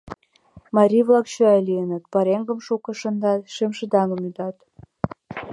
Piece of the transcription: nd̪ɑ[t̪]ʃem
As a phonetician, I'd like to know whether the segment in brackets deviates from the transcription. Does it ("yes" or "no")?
no